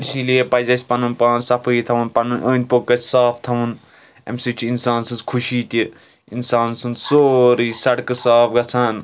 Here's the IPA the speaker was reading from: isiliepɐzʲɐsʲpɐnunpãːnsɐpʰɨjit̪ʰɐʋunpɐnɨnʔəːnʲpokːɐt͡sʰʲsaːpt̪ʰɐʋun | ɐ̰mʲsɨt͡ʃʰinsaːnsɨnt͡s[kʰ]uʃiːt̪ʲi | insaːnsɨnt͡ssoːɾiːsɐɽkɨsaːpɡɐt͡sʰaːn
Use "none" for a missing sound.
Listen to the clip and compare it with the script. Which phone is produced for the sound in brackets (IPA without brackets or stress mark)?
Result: kʰ